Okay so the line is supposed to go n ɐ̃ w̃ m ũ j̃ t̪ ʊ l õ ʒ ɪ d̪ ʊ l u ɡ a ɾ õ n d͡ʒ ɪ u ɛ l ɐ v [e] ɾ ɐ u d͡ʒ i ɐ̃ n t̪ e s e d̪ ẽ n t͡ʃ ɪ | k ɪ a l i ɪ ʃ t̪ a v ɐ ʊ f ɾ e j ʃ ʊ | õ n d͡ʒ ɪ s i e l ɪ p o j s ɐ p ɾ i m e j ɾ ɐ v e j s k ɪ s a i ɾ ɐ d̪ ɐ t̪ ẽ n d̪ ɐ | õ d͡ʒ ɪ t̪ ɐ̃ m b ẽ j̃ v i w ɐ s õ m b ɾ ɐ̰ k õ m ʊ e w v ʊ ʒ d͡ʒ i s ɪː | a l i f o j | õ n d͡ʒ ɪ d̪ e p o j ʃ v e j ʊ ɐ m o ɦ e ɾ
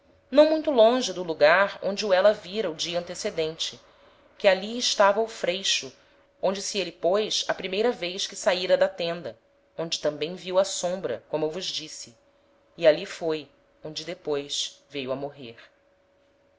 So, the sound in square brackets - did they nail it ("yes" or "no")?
no